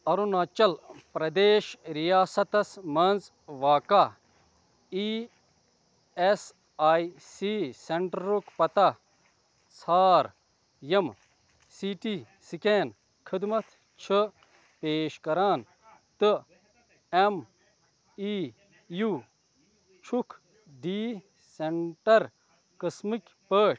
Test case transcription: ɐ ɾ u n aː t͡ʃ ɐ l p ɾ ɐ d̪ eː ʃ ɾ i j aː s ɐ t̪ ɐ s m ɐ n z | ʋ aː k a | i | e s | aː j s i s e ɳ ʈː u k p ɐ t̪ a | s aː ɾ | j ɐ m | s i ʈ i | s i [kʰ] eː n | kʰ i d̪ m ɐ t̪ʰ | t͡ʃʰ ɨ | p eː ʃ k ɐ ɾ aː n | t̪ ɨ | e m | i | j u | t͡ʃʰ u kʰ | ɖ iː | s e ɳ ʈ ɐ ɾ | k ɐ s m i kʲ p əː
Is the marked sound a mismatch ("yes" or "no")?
yes